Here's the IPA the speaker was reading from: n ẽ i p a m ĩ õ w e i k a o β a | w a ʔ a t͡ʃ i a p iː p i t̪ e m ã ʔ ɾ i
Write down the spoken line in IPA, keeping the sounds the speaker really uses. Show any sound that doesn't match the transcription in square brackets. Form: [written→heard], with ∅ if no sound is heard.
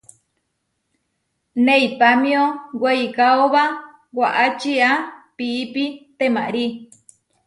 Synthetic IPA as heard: n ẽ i p a m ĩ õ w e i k a o β a | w a ʔ a t͡ʃ i a p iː p i t̪ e m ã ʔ ɾ i